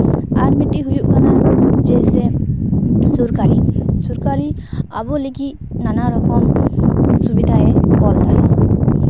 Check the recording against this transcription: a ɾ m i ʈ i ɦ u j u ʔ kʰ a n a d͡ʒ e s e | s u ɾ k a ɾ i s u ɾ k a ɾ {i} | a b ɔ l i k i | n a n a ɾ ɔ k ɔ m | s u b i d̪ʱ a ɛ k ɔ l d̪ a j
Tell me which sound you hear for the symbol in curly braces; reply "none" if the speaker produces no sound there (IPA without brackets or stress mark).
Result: i